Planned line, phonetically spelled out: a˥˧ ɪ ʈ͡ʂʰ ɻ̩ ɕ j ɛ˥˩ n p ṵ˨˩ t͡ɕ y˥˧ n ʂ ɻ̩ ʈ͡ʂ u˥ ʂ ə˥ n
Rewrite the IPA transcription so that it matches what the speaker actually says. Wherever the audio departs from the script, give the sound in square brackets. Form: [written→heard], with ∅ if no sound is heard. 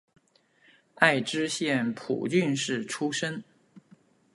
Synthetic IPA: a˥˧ ɪ [ʈ͡ʂʰ→ʈ͡ʂ] ɻ̩ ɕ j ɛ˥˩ n [p→pʰ] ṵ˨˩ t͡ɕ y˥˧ n ʂ ɻ̩ [ʈ͡ʂ→ʈ͡ʂʰ] u˥ ʂ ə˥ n